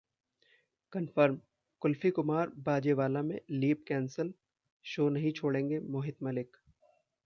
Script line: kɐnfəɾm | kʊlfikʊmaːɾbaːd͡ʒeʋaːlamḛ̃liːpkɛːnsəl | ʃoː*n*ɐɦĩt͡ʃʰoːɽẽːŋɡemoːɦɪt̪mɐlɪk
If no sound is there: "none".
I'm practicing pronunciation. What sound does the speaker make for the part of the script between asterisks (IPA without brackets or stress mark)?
n